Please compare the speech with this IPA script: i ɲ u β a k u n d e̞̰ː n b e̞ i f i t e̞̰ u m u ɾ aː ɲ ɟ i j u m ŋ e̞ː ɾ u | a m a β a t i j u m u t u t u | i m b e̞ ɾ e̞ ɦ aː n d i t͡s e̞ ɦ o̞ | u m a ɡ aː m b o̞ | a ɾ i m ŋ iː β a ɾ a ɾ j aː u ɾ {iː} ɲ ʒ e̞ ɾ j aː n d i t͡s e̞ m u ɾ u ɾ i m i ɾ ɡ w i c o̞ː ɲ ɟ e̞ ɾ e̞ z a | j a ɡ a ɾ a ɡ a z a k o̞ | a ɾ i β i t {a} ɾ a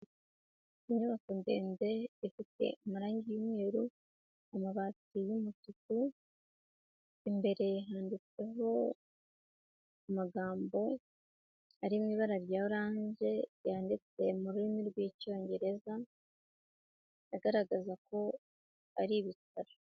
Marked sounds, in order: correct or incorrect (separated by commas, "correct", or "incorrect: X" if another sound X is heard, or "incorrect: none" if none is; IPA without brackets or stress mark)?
incorrect: aː, correct